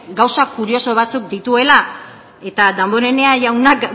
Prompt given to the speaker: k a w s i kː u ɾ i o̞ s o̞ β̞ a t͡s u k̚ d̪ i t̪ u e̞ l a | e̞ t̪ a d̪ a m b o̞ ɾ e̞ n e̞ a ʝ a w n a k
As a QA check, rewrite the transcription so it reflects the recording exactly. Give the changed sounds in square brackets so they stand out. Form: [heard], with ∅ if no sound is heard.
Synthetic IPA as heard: [ɡ] a w s [a] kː u ɾ i o̞ s o̞ β̞ a t͡s u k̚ d̪ i t̪ u e̞ l a | e̞ t̪ a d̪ a m b o̞ ɾ e̞ n e̞ a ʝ a w n a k